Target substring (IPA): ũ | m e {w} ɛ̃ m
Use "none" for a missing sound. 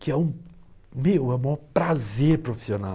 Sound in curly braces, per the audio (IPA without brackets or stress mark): w